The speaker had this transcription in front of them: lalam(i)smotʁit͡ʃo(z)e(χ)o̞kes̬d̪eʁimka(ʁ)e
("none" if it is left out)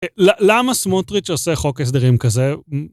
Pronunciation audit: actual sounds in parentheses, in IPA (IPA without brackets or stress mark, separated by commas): a, s, χ, z